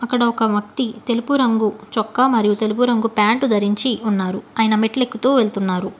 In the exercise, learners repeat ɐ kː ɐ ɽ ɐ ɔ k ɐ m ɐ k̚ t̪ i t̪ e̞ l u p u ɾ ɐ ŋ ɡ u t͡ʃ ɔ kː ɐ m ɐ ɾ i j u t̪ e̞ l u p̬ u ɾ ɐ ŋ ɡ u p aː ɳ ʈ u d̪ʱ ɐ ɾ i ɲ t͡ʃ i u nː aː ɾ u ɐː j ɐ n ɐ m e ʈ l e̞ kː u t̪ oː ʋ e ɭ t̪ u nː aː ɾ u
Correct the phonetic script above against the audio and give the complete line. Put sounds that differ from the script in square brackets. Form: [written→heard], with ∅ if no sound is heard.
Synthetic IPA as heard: ɐ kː ɐ ɽ ɐ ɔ k ɐ m ɐ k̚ t̪ i t̪ e̞ l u p u ɾ ɐ ŋ ɡ u t͡ʃ ɔ kː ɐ m ɐ ɾ i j u t̪ e̞ l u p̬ u ɾ ɐ ŋ ɡ u p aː ɳ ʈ u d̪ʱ ɐ ɾ i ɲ t͡ʃ i u nː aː ɾ u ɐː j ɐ n ɐ m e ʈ l e̞ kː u t̪ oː ʋ e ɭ t̪ u nː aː ɾ u